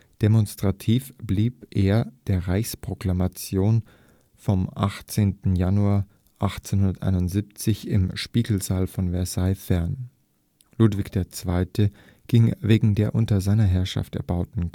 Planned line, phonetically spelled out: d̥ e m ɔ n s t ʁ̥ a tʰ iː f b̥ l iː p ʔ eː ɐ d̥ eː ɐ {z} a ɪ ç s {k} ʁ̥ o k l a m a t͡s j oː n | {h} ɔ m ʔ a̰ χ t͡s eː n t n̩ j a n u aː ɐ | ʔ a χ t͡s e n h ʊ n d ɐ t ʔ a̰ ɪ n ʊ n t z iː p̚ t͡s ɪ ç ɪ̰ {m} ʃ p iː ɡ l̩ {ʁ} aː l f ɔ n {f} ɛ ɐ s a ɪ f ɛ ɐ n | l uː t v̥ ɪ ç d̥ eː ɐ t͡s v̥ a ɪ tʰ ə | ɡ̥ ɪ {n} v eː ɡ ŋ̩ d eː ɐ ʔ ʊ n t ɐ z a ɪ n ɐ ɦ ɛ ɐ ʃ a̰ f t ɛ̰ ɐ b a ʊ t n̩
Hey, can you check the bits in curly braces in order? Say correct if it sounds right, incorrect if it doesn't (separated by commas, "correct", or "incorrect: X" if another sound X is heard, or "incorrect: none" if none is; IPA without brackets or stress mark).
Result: incorrect: ʁ, incorrect: p, incorrect: f, correct, incorrect: z, incorrect: v, incorrect: ŋ